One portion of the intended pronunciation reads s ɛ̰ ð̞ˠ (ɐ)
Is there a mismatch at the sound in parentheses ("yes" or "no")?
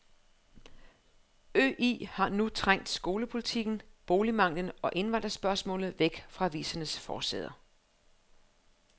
no